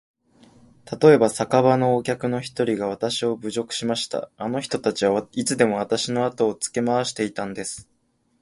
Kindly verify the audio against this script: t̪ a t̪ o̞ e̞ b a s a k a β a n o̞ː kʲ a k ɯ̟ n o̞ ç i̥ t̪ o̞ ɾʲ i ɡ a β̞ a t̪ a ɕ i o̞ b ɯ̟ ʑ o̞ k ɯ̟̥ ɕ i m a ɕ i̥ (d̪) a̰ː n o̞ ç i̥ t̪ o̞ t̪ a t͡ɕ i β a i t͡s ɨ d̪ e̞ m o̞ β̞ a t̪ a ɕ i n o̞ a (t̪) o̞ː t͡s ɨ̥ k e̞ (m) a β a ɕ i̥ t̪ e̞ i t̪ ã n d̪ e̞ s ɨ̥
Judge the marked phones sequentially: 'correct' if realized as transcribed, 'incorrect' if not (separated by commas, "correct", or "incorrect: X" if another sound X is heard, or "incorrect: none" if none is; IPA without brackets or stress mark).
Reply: incorrect: t̪, correct, correct